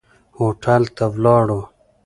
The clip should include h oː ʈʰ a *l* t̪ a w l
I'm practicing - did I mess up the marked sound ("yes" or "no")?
no